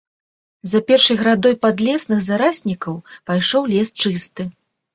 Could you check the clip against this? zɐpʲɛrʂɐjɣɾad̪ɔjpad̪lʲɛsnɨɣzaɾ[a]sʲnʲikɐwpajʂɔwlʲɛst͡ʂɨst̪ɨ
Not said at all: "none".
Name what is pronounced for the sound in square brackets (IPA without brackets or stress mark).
a